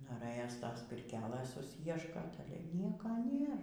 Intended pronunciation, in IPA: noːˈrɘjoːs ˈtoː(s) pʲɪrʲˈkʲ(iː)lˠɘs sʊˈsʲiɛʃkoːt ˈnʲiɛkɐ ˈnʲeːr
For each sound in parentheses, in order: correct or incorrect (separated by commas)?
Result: correct, incorrect